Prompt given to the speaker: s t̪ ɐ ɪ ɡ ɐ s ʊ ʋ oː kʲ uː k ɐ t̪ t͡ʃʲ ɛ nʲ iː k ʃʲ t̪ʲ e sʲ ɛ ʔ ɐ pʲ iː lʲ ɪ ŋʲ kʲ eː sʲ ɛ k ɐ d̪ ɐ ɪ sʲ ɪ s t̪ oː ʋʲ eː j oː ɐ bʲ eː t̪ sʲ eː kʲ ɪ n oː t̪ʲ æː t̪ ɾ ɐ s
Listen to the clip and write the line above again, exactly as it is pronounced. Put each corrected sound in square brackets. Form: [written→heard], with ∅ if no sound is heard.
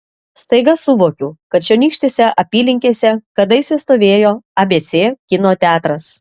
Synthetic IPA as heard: s t̪ ɐ ɪ ɡ ɐ s ʊ ʋ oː kʲ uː k ɐ t̪ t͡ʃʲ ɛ nʲ iː k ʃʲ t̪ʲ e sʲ ɛ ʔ ɐ pʲ iː lʲ ɪ ŋʲ kʲ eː sʲ ɛ k ɐ d̪ ɐ ɪ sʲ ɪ s t̪ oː ʋʲ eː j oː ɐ bʲ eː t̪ sʲ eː kʲ ɪ n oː t̪ʲ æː t̪ ɾ ɐ s

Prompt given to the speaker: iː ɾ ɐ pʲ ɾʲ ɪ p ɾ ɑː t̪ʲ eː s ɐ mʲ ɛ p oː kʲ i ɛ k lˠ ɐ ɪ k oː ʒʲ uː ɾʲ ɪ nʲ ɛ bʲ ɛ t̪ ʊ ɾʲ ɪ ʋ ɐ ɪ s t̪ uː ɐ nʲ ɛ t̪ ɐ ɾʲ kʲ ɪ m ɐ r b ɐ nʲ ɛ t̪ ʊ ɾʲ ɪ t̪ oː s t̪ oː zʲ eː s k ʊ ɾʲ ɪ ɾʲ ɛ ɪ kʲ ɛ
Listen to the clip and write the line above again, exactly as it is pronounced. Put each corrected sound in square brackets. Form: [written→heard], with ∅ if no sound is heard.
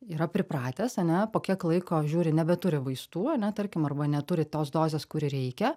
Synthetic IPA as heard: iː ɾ ɐ pʲ ɾʲ ɪ p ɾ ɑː t̪ʲ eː s ɐ [mʲ→nʲ] ɛ p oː kʲ i ɛ k lˠ ɐ ɪ k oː ʒʲ uː ɾʲ ɪ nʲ ɛ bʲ ɛ t̪ ʊ ɾʲ ɪ ʋ ɐ ɪ s t̪ uː ɐ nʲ ɛ t̪ ɐ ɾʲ kʲ ɪ m ɐ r b ɐ nʲ ɛ t̪ ʊ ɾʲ ɪ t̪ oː s [t̪→d̪] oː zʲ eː s k ʊ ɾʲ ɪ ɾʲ ɛ ɪ kʲ ɛ

